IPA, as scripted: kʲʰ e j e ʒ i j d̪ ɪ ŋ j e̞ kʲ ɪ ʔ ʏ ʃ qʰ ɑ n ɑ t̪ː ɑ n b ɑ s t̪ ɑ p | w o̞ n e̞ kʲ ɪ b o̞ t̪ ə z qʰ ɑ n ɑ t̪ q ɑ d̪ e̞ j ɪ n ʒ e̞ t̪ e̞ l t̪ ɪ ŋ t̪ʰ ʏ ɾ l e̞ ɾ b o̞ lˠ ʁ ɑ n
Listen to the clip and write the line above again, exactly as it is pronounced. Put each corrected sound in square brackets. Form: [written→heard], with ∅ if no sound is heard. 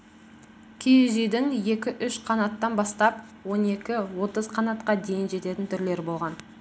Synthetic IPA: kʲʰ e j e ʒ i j d̪ ɪ ŋ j e̞ kʲ ɪ ʔ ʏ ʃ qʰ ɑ n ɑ t̪ː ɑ n b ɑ s t̪ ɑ p | w o̞ n e̞ kʲ ɪ [b→w] o̞ t̪ ə z qʰ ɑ n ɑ t̪ q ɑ d̪ e̞ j ɪ n ʒ e̞ t̪ e̞ [l→∅] t̪ ɪ [ŋ→n] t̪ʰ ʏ ɾ l e̞ ɾ b o̞ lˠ ʁ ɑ n